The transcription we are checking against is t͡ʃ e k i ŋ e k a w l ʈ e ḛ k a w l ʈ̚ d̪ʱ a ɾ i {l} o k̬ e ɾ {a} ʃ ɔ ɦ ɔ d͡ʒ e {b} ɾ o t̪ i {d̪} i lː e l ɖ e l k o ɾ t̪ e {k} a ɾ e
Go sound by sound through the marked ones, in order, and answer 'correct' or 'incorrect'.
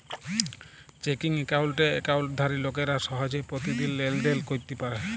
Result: correct, correct, incorrect, correct, incorrect

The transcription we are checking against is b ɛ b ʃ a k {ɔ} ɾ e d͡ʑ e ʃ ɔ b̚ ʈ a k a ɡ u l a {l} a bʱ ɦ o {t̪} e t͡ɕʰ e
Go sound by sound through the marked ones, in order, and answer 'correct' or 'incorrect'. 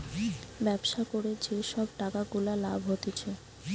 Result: incorrect, correct, correct

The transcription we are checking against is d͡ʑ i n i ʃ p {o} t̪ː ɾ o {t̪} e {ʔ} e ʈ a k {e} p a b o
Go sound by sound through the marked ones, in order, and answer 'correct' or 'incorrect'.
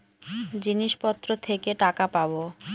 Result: incorrect, incorrect, incorrect, incorrect

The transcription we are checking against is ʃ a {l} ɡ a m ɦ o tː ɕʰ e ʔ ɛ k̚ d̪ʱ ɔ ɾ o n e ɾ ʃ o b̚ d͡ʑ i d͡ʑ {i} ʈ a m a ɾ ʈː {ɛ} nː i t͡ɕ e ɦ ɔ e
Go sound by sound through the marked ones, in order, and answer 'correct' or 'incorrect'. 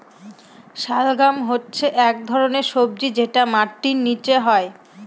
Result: correct, incorrect, incorrect

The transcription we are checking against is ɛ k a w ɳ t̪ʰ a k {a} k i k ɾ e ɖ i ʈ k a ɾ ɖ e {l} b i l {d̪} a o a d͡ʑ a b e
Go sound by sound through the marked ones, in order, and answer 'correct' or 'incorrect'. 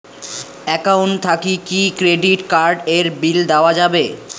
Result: incorrect, incorrect, correct

